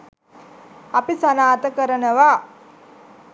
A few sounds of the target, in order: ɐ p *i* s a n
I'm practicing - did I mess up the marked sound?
no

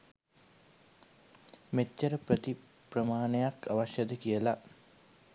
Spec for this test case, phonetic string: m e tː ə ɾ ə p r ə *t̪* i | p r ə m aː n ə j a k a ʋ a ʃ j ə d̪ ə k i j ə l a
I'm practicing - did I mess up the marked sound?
no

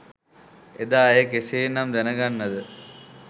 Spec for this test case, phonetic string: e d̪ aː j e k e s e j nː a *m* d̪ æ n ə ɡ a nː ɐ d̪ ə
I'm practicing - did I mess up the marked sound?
no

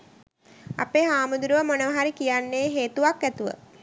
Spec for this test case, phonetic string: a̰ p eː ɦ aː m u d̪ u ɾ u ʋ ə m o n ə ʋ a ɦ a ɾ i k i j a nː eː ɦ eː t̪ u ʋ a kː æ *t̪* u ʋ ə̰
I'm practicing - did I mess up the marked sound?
no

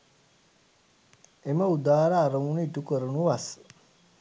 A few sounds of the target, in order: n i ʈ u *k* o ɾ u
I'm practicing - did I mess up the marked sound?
no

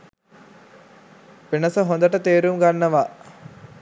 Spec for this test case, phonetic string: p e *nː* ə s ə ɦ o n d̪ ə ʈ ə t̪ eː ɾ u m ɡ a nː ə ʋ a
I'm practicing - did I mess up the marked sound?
yes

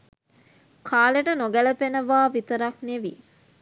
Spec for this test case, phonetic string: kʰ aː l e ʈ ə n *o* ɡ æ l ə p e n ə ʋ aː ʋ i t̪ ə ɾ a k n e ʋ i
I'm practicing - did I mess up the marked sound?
no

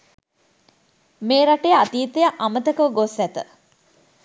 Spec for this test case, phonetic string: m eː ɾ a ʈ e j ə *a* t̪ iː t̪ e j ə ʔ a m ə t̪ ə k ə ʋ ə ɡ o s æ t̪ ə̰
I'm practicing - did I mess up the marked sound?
no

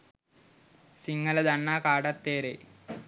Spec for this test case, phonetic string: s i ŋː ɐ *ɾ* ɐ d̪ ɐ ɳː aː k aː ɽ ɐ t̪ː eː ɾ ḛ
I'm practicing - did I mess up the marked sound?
yes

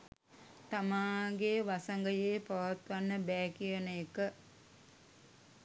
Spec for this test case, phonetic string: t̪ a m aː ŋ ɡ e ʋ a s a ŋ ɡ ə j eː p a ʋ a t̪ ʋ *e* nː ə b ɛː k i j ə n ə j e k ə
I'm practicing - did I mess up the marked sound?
yes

